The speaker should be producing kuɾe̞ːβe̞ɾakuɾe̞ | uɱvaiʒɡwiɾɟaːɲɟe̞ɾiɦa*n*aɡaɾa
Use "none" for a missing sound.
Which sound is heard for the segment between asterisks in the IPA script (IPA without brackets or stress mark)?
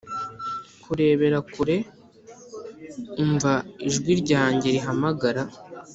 m